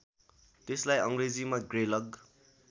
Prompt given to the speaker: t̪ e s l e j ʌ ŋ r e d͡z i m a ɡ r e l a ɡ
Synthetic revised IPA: t̪ e s l a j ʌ ŋ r e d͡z i m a ɡ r e l ʌ ɡ